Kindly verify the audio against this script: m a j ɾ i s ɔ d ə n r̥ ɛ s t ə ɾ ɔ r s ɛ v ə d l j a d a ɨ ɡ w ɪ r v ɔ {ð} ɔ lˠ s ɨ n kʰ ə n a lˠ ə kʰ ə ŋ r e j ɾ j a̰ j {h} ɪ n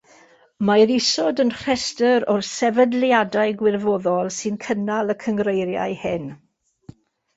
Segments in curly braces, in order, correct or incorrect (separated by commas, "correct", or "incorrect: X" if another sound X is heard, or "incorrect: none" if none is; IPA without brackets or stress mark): correct, correct